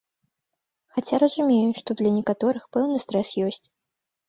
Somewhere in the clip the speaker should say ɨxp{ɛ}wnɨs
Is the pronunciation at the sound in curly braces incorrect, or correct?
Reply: correct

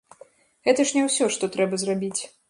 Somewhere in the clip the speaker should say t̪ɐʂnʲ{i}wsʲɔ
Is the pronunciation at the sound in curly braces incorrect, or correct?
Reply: incorrect: ɛ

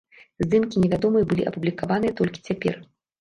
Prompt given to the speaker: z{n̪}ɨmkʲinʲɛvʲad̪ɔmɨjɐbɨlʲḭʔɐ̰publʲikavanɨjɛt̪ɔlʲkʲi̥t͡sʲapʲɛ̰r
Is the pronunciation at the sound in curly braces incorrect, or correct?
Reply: incorrect: d̪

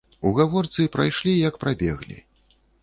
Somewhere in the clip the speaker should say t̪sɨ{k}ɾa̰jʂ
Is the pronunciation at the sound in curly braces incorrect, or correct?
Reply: incorrect: p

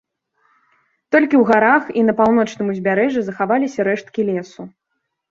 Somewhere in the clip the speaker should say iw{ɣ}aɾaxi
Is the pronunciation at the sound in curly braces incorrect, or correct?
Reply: correct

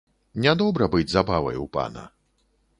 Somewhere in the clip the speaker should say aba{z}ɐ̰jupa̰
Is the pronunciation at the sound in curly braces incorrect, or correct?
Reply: incorrect: v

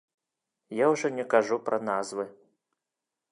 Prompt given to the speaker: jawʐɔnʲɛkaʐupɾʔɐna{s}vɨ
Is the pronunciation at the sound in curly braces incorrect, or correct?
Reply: incorrect: z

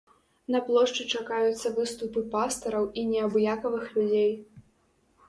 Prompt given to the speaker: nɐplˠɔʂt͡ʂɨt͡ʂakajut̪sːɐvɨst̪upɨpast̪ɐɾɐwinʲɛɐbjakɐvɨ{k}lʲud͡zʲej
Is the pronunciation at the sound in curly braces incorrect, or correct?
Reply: incorrect: x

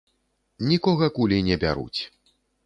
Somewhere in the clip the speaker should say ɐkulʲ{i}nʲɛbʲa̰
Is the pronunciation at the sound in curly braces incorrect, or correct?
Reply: correct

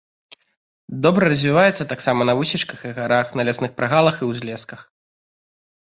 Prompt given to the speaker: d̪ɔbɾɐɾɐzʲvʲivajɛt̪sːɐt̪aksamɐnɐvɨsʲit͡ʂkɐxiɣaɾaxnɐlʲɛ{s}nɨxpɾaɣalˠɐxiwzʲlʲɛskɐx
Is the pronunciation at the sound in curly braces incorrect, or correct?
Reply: correct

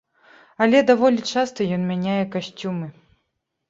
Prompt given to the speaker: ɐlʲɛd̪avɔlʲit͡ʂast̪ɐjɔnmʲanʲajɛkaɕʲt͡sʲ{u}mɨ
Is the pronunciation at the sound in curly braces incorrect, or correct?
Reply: correct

